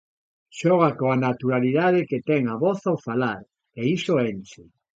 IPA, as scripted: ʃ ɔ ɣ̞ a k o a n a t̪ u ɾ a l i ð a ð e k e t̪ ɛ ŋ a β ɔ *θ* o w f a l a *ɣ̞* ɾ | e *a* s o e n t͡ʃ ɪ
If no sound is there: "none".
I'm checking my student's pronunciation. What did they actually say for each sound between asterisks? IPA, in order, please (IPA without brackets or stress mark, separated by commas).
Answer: θ, none, i